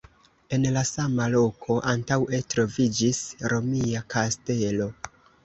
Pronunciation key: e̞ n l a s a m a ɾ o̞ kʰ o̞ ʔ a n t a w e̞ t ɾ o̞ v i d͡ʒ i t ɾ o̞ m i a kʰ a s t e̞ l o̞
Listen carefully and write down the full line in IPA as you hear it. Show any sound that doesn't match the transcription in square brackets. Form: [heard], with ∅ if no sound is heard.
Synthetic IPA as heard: e̞ n l a s a m a [l] o̞ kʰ o̞ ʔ a n t a w e̞ t ɾ o̞ v i d͡ʒ i [s] ɾ o̞ m i a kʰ a s t e̞ l o̞